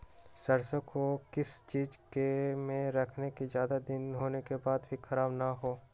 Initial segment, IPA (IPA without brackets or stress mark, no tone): s